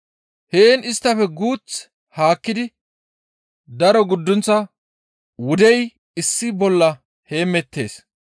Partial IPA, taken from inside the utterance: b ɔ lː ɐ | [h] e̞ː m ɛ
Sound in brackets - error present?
no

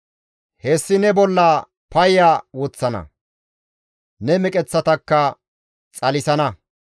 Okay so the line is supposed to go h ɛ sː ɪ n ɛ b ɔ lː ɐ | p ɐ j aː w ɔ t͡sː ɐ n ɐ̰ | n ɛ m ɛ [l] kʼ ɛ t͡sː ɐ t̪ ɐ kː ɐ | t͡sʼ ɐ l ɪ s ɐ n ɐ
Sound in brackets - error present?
yes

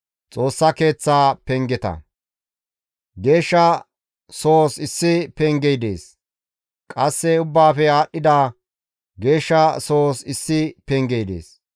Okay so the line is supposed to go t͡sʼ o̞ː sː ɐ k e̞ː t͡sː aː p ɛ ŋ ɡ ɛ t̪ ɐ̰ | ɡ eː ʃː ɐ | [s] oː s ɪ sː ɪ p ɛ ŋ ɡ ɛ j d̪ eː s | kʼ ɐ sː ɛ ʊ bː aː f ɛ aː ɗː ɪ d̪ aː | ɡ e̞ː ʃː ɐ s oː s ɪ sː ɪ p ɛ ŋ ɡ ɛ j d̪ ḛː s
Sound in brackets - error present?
no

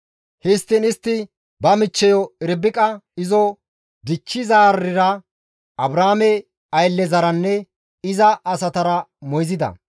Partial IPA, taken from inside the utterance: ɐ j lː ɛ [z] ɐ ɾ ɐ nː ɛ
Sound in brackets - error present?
no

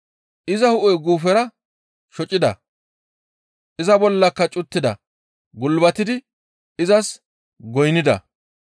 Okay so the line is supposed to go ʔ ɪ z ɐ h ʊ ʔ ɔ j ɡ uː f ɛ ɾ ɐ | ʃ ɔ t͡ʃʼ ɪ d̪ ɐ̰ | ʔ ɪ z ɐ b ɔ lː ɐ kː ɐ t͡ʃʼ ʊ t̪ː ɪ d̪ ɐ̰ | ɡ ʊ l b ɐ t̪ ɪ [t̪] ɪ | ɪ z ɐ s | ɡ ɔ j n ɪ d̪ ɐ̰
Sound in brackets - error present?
yes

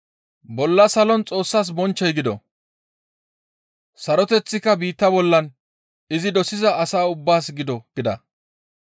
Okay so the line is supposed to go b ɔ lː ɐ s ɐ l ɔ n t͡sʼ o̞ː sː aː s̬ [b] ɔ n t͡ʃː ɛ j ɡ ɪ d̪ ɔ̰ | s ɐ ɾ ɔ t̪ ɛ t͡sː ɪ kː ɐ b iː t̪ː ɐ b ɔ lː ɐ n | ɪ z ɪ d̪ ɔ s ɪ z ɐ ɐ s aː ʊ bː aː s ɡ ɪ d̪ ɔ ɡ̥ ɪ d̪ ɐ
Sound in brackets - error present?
no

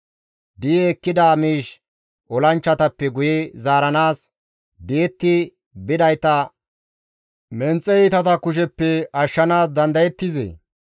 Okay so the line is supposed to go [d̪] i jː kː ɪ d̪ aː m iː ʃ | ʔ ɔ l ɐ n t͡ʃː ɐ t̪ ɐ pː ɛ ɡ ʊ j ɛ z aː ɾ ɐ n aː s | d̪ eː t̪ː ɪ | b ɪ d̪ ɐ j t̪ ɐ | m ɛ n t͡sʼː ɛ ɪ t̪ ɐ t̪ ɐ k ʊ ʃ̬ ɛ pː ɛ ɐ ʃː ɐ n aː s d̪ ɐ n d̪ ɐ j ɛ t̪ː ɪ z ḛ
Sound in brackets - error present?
no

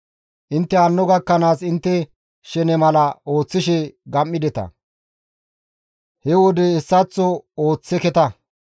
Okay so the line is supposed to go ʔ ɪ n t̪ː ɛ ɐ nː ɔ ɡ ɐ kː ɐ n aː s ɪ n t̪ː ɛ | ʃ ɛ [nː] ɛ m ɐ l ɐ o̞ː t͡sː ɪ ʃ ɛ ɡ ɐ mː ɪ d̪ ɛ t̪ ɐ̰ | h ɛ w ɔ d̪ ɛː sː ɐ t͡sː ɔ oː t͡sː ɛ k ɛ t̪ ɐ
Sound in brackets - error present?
yes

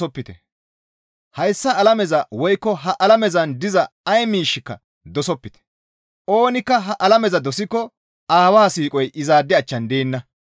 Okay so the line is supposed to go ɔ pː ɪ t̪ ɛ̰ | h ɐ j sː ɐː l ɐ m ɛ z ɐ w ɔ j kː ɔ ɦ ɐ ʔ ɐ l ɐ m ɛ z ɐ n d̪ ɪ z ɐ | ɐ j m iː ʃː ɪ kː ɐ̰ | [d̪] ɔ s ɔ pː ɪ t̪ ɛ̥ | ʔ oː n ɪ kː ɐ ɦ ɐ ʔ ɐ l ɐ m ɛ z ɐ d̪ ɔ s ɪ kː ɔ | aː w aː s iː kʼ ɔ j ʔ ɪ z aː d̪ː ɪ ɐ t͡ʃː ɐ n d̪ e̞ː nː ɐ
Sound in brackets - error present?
no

